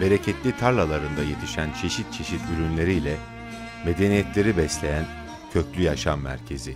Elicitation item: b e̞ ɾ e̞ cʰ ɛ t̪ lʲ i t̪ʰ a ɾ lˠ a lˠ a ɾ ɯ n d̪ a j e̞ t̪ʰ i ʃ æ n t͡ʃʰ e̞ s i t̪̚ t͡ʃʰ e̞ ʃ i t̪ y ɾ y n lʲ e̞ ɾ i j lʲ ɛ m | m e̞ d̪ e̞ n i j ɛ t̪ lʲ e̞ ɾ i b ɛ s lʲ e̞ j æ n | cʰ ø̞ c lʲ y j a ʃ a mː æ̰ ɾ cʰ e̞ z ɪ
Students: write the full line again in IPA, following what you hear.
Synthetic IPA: b e̞ ɾ e̞ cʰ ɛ t̪ lʲ i t̪ʰ a ɾ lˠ a lˠ a ɾ ɯ n d̪ a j e̞ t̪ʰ i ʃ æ n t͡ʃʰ e̞ ʃ i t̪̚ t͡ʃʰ e̞ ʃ i t̪ y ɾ y n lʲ e̞ ɾ i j lʲ ɛ | m e̞ d̪ e̞ n i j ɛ t̪ lʲ e̞ ɾ i b ɛ s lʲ e̞ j æ n | cʰ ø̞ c lʲ y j a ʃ a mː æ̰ ɾ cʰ e̞ z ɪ